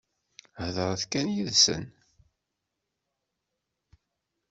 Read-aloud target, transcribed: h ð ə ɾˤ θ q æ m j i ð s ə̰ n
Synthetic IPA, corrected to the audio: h ð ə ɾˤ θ k æ n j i ð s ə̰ n